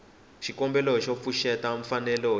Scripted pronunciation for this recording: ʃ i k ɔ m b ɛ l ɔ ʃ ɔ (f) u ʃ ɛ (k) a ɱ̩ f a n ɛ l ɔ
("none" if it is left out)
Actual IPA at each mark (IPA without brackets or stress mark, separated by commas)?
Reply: f, t